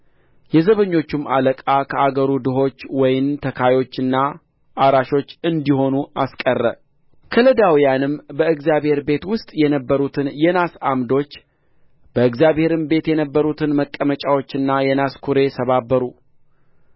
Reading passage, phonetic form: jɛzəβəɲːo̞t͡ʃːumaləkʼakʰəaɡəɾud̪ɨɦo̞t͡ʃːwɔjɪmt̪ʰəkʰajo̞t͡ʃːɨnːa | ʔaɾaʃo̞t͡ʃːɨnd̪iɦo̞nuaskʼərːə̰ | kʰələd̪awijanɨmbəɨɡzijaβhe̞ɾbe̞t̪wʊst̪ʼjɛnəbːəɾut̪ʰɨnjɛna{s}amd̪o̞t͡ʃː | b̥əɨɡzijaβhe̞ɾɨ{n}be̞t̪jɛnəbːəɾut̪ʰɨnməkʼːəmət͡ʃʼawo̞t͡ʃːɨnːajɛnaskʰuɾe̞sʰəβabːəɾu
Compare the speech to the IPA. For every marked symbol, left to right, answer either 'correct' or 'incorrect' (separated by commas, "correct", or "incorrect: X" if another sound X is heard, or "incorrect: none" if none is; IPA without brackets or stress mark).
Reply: correct, incorrect: m